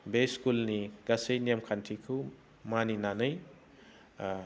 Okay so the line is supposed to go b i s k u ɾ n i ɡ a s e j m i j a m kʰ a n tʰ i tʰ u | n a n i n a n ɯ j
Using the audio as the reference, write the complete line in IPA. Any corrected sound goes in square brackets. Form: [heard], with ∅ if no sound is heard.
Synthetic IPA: b [e] s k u [l] n i ɡ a s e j [n] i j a m kʰ a n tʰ i [kʰ] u | [m] a n i n a n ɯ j